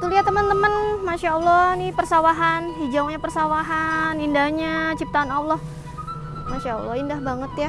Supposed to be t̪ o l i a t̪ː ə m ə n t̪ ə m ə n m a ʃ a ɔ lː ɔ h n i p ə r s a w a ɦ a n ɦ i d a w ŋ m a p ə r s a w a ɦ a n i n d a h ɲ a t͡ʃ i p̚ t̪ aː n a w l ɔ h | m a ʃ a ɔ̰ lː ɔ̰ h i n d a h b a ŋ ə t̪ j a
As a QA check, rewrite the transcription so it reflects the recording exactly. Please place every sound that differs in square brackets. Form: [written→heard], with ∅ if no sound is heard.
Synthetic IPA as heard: t̪ [o→u] l i a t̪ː ə m ə n t̪ ə m ə n m a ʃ a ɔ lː ɔ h n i p ə r s a w a ɦ a n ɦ i [d→d͡ʒ] a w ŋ [m→ɲ] a p ə r s a w a ɦ a n i n d a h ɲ a t͡ʃ i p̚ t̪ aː n a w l ɔ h | m a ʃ a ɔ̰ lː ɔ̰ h i n d a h b a ŋ ə t̪ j a